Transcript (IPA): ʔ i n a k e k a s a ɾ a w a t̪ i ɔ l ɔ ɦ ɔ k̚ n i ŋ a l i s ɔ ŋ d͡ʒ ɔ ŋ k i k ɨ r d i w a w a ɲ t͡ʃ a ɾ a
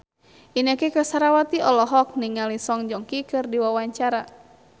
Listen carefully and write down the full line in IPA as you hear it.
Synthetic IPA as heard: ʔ i n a k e k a s a ɾ a w a t̪ i ɔ l ɔ ɦ ɔ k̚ n i ŋ a l i s ɔ ŋ d͡ʒ ɔ ŋ k i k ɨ r d i w a w a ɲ t͡ʃ a ɾ a